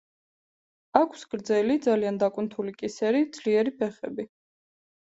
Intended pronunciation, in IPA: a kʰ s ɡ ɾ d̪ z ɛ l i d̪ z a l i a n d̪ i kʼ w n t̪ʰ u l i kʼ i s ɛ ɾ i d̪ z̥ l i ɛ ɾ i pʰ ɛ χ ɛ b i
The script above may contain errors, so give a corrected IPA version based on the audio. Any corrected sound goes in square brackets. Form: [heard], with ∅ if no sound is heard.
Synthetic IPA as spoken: a kʰ s ɡ ɾ d̪ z ɛ l i d̪ z a l i a n d̪ [a] kʼ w n t̪ʰ u l i kʼ i s ɛ ɾ i d̪ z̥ l i ɛ ɾ i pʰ ɛ χ ɛ b i